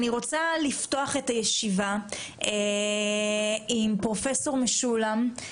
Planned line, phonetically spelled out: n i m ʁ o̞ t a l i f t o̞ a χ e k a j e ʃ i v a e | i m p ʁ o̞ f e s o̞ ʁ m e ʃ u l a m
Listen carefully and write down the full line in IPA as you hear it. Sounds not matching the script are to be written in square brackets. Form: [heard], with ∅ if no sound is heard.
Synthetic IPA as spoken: n i [∅] ʁ o̞ [t͡s] a l i f t o̞ a χ e [t] a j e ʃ i v a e | i m p ʁ o̞ f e s o̞ ʁ m e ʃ u l a m